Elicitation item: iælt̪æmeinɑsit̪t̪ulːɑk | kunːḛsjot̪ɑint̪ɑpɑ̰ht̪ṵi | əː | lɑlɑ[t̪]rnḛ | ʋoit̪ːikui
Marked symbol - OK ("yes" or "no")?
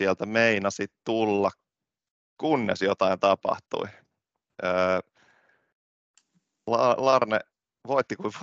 no